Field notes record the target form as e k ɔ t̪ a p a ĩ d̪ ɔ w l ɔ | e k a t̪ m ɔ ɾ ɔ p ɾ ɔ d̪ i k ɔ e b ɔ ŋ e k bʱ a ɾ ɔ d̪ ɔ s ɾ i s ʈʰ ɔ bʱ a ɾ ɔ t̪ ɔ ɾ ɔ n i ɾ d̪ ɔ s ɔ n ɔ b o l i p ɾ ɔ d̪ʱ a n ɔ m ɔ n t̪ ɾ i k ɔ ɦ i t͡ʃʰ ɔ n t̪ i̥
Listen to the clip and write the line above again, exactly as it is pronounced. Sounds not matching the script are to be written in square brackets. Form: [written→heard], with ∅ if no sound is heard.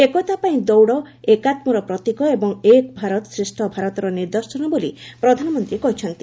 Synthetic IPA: e k ɔ t̪ a p a ĩ d̪ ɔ w [l→ɽ] ɔ | e k a t̪ m ɔ ɾ ɔ p ɾ ɔ [d̪→t̪] i k ɔ e b ɔ ŋ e k bʱ a ɾ ɔ [d̪→t̪] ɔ s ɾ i s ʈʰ ɔ bʱ a ɾ ɔ t̪ ɔ ɾ ɔ n i ɾ d̪ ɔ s ɔ n ɔ b o l i p ɾ ɔ d̪ʱ a n ɔ m ɔ n t̪ ɾ i k ɔ ɦ i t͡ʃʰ ɔ n t̪ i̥